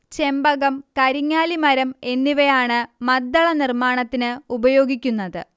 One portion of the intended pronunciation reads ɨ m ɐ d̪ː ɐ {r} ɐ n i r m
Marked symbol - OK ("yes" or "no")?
no